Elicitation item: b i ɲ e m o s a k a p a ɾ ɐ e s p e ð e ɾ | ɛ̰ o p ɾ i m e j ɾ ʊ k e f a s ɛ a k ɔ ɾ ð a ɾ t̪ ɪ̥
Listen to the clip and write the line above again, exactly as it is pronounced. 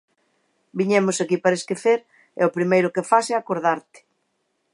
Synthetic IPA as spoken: b i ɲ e m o s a k i p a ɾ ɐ e s k e θ e ɾ | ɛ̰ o p ɾ i m e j ɾ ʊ k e f a s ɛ a k o ɾ ð a ɾ t̪ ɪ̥